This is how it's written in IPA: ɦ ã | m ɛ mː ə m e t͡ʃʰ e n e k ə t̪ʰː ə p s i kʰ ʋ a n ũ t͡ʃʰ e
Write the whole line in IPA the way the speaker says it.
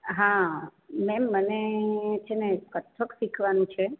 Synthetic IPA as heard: ɦ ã | m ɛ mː ə n e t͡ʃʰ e n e k ə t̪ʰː ə k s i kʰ ʋ a n ũ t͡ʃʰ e